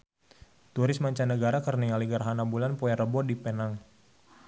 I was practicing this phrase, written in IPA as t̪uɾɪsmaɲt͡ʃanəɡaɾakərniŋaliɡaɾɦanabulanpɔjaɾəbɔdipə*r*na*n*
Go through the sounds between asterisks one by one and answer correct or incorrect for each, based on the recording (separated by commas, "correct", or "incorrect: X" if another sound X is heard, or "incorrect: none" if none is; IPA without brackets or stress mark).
incorrect: none, incorrect: ŋ